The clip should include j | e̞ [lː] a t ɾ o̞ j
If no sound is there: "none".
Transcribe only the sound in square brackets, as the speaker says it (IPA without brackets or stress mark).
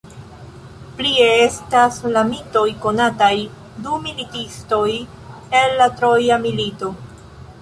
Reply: lː